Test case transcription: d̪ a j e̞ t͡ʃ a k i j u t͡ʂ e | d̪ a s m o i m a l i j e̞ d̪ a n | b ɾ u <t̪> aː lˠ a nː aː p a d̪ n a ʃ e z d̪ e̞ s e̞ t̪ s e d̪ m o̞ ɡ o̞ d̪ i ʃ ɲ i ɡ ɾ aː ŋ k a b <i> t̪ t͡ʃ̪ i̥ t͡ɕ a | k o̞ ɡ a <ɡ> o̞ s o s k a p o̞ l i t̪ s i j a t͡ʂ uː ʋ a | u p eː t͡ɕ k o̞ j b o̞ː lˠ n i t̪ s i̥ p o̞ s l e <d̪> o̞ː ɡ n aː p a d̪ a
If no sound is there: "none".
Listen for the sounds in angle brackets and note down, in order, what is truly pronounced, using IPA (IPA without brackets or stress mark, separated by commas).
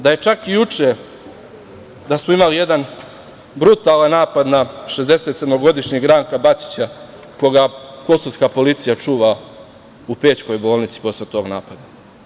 t̪, a, k, t̪